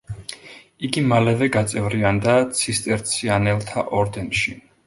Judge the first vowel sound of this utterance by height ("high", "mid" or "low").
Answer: high